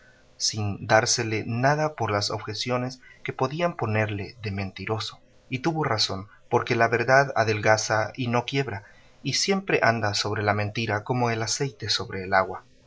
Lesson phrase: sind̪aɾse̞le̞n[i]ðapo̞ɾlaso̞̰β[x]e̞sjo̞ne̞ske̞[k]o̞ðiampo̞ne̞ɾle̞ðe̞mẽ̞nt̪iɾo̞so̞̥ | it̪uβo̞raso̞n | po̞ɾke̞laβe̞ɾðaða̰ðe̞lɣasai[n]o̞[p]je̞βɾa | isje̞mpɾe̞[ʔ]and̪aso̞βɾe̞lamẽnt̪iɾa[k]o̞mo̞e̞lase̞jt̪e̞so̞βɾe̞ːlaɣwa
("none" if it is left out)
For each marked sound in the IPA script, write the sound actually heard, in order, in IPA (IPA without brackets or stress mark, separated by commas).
a, x, p, n, k, ʔ, k